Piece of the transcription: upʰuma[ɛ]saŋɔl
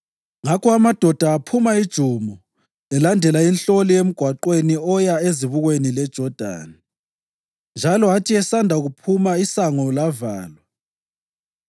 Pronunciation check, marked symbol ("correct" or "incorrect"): incorrect